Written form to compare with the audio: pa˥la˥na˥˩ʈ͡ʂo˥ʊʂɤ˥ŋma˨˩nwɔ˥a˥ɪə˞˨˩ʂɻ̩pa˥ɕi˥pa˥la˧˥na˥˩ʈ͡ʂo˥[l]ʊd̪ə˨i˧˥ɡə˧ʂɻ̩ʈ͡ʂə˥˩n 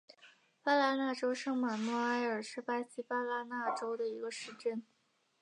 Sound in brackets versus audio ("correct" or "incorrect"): incorrect